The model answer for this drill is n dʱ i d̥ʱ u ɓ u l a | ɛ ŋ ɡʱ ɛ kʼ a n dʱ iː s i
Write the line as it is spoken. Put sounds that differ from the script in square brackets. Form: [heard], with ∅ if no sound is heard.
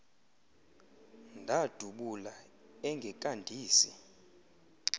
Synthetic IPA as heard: n dʱ [a] d̥ʱ u ɓ u l a | ɛ ŋ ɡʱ ɛ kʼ a n dʱ iː s i